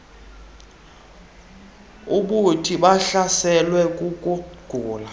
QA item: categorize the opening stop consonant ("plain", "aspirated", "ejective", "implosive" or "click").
implosive